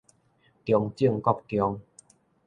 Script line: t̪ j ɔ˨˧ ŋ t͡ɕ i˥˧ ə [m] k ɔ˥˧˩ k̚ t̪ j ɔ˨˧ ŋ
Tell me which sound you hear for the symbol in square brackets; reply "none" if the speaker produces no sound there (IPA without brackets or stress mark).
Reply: ŋ